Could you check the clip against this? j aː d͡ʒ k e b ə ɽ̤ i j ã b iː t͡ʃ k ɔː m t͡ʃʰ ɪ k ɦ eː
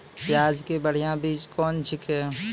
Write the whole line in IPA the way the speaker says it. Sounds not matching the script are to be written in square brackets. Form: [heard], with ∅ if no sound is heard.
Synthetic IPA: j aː d͡ʒ k e b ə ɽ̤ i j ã b iː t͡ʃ k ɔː [n] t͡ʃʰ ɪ k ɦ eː